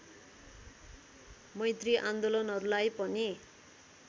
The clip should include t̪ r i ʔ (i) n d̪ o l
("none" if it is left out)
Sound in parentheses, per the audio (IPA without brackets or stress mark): a